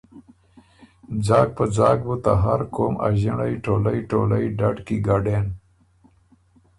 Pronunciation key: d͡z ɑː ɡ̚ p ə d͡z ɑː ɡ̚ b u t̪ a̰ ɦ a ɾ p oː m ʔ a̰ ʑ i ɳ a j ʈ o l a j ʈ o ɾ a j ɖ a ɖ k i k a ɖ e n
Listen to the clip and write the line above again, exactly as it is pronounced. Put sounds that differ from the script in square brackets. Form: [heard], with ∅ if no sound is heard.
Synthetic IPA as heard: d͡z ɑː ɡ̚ p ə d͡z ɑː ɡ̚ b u t̪ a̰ ɦ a ɾ [k] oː m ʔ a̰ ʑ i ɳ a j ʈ o l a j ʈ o [l] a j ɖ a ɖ k i [ɡ] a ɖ e n